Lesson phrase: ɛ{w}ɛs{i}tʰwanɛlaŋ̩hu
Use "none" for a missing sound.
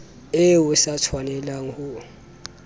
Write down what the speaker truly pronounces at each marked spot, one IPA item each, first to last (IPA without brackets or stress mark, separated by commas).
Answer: w, a